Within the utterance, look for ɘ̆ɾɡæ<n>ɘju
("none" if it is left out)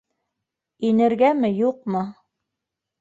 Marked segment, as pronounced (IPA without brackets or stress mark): m